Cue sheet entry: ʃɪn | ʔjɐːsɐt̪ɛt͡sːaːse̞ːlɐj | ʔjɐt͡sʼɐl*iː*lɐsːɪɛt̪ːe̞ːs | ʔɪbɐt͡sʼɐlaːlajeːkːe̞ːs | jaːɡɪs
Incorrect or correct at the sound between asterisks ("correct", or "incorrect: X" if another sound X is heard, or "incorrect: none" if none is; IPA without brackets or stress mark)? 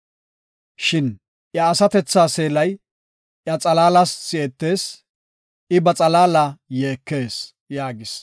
incorrect: aː